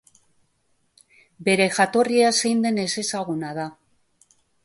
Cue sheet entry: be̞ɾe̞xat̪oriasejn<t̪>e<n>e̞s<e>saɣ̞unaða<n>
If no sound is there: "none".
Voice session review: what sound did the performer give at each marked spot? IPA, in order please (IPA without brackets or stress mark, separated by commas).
d̪, n, e, none